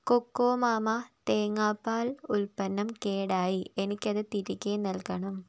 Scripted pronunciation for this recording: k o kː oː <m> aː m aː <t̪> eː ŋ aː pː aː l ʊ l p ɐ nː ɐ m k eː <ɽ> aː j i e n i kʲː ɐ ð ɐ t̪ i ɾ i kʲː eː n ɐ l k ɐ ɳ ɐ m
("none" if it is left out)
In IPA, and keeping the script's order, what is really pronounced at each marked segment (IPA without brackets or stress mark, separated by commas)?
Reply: m, t̪, ɽ